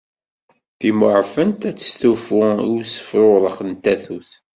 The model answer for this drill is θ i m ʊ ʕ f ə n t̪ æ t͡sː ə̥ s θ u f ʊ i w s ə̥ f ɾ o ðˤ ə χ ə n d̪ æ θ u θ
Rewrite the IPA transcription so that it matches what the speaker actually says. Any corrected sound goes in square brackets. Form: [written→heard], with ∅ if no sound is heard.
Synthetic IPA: θ i m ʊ ʕ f ə n t̪ æ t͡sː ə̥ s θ u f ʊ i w s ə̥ f ɾ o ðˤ ə χ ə n [d̪→t̪] æ θ u θ